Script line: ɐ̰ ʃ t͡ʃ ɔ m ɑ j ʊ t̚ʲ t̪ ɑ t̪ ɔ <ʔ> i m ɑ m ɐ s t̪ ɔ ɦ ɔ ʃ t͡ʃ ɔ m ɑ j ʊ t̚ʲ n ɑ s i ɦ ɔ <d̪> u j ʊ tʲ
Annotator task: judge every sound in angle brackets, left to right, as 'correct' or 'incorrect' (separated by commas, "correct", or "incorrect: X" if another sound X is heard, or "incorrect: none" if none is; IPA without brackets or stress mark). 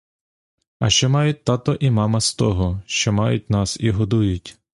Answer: correct, correct